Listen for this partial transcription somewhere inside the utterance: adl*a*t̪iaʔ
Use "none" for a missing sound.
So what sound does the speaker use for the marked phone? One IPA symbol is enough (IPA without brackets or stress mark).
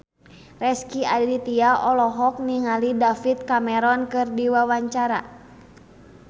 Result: i